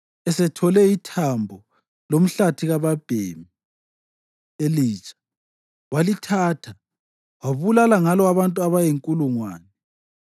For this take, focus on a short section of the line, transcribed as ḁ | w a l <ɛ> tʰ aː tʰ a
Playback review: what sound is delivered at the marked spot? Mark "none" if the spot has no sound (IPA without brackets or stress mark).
i